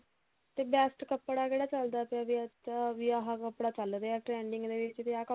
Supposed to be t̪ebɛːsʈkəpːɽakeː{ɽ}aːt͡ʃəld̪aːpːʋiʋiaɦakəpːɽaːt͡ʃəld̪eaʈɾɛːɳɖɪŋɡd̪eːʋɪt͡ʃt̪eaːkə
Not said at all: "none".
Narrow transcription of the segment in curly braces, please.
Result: ɽ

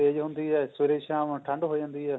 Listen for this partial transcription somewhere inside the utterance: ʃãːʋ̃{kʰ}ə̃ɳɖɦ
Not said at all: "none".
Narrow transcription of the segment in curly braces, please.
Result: ʈʰ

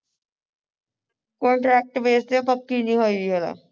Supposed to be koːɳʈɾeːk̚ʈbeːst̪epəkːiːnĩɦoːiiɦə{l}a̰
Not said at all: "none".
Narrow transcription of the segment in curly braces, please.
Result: l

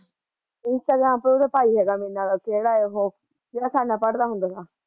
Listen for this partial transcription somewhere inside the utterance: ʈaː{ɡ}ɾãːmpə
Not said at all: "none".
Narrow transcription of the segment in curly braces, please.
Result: ɡ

